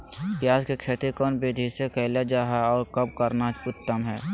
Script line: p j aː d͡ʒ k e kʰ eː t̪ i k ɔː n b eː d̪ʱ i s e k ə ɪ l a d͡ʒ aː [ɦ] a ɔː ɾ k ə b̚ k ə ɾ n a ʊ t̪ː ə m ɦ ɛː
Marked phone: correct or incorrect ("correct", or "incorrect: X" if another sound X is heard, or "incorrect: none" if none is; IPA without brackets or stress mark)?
correct